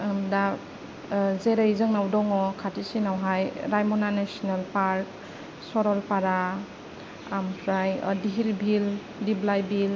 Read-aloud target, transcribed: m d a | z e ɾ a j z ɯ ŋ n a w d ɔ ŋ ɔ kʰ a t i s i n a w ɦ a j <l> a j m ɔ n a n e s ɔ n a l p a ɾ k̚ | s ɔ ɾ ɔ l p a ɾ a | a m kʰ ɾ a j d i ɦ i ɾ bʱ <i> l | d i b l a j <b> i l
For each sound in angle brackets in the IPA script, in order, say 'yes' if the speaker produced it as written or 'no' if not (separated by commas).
no, yes, yes